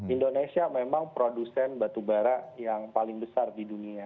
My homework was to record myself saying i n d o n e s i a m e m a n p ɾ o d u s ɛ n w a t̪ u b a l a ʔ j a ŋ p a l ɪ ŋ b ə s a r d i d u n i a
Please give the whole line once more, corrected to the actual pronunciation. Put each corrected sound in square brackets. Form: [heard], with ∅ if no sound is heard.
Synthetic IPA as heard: i n d o n e s i a m e m a [ŋ] p ɾ o d u s ɛ n [b] a t̪ u b a [ɾ] a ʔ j a ŋ p a l ɪ ŋ b ə s a r d i d u n i a